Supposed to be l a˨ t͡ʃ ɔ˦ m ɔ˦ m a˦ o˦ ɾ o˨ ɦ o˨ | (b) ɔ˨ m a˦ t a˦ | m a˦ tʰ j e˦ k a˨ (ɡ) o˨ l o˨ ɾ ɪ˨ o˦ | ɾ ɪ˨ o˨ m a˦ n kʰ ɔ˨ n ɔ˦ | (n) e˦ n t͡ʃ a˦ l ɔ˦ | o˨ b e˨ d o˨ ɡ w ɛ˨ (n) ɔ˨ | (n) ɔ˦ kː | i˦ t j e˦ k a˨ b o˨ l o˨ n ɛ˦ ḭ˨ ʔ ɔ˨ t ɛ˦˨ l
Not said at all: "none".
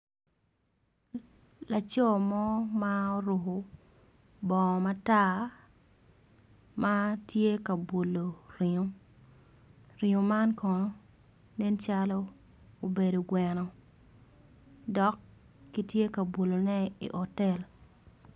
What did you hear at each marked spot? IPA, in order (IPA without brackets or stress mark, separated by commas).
b, b, n, n, d